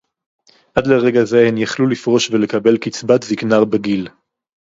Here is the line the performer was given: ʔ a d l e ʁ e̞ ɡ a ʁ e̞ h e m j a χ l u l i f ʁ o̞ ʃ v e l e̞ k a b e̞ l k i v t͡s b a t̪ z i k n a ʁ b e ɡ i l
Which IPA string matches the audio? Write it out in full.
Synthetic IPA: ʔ a d l e ʁ e̞ ɡ a z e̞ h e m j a χ l u l i f ʁ o̞ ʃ v e l e̞ k a b e̞ l k i t͡s b a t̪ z i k n a ʁ b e ɡ i l